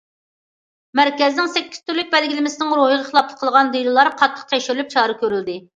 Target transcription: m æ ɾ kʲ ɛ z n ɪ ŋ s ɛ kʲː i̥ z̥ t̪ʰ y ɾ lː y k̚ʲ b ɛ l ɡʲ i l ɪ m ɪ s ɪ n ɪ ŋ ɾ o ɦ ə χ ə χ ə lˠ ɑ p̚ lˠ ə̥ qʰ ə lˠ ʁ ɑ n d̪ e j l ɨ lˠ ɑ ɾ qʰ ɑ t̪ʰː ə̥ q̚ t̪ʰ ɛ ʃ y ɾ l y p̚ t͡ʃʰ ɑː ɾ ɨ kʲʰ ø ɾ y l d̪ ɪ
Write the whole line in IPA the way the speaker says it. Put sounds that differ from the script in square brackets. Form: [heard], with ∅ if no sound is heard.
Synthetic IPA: m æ ɾ kʲ ɛ z n ɪ ŋ s ɛ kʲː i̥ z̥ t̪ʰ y ɾ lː y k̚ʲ b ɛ l ɡʲ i l ɪ m ɪ s ɪ n ɪ ŋ ɾ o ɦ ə [ʁ] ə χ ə lˠ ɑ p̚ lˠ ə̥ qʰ ə lˠ ʁ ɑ n d̪ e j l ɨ lˠ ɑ ɾ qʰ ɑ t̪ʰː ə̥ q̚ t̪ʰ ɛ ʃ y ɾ l y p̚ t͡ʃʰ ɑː ɾ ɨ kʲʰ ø ɾ y l d̪ ɪ